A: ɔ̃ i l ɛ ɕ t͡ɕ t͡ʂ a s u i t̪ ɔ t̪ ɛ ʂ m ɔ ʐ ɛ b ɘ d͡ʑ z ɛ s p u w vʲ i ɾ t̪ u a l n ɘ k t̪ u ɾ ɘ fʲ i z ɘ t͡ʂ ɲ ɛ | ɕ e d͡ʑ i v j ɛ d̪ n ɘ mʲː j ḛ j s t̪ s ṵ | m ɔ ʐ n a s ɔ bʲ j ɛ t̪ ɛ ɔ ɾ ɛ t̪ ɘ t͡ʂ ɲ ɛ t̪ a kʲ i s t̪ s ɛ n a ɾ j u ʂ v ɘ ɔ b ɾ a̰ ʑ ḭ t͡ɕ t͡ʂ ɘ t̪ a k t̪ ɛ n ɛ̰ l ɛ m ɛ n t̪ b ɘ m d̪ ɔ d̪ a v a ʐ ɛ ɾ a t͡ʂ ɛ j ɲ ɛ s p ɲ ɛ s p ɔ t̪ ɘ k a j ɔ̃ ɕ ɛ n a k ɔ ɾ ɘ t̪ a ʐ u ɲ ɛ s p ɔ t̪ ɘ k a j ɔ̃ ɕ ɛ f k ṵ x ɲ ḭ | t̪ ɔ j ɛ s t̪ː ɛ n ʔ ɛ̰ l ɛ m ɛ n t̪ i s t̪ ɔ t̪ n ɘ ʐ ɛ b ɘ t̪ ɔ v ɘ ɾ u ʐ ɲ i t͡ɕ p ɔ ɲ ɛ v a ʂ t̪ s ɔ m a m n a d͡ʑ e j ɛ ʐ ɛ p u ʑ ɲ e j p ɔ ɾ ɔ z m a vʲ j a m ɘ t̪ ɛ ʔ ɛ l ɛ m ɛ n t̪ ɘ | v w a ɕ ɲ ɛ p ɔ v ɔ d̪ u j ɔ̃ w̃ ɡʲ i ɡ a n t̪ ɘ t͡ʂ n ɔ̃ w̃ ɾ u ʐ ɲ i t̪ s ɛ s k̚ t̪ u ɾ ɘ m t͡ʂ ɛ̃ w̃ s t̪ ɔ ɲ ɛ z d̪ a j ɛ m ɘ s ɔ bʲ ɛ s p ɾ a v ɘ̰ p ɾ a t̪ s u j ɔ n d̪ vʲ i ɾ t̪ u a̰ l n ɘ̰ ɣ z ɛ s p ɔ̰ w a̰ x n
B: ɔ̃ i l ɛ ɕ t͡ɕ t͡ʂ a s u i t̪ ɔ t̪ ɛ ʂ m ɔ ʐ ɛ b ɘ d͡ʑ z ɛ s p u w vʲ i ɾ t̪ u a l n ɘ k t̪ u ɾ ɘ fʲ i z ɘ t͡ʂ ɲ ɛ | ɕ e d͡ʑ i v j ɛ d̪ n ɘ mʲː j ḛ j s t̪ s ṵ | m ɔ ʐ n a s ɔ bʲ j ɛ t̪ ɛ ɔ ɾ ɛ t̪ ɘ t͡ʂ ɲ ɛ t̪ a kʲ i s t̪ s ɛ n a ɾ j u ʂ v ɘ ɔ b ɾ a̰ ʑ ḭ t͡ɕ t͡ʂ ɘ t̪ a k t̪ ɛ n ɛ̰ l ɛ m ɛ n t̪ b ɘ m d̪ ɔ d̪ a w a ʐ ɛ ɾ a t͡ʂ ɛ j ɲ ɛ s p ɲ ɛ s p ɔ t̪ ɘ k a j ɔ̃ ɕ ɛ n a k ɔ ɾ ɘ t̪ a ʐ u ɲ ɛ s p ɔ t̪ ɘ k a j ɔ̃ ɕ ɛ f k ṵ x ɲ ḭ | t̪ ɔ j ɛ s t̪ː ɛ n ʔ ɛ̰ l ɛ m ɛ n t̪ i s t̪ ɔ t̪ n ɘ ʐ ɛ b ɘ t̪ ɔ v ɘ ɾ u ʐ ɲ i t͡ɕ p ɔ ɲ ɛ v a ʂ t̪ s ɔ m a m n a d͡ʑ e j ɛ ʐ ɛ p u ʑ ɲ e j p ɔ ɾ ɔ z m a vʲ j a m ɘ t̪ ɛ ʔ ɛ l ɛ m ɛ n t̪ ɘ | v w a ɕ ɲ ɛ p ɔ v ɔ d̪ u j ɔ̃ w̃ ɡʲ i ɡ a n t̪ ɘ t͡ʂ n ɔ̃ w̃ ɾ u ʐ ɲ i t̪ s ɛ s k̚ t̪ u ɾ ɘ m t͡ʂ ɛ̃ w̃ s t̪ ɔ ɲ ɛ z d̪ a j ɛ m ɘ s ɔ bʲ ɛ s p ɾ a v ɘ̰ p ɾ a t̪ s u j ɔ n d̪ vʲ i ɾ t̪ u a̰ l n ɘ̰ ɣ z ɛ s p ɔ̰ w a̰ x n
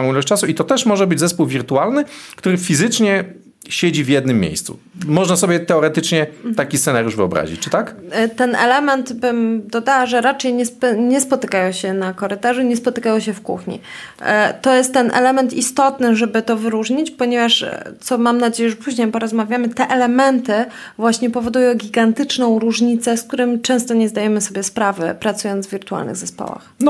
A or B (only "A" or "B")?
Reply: B